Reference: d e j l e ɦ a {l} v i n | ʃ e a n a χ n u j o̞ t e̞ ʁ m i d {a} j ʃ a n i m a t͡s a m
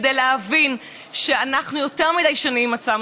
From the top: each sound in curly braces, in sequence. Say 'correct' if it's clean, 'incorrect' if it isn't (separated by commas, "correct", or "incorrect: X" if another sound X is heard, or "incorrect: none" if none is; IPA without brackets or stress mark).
incorrect: none, correct